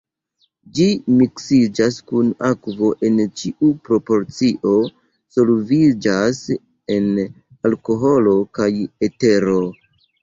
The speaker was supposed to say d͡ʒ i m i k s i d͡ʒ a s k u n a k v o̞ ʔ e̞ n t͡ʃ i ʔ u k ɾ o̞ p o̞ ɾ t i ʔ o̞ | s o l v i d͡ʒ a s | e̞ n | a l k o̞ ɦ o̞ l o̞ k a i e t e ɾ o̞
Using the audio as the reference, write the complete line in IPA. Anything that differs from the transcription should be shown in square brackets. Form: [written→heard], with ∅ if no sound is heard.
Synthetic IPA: d͡ʒ i m i k s i d͡ʒ a s k u n a k v o̞ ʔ e̞ n t͡ʃ i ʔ u [k→p] ɾ o̞ p o̞ ɾ [t→t͡s] i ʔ o̞ | s o l v i d͡ʒ a s | e̞ n | a l k o̞ ɦ o̞ l o̞ k a [i→j] e t e ɾ o̞